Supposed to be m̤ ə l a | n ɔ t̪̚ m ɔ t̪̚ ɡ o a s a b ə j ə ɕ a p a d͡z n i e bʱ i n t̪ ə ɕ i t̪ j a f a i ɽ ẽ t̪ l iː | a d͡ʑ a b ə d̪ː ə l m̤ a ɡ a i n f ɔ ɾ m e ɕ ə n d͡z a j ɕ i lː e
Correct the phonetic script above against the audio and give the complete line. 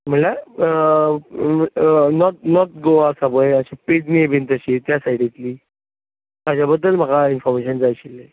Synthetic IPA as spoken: m̤ ə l a | n ɔ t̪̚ n ɔ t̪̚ ɡ o a s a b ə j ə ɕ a p e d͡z n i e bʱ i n t̪ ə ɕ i t̪ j a s a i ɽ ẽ t̪ l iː | a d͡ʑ a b ə d̪ː ə l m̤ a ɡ a i n f ɔ ɾ m e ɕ ə n d͡z a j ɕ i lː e